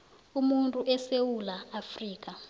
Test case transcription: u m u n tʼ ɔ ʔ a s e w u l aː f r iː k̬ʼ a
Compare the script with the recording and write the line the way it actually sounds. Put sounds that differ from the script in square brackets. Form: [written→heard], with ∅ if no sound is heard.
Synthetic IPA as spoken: u m u n tʼ [ɔ→u] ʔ [a→ɛ] s e w u l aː f r iː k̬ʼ a